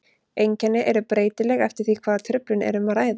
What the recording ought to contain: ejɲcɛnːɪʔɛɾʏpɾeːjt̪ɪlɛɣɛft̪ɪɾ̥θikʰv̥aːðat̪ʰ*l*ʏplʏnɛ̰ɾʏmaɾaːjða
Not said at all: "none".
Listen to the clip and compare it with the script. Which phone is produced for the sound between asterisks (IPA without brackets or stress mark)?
ɾ